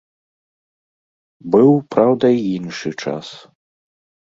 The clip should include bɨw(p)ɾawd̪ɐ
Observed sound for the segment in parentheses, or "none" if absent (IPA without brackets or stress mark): p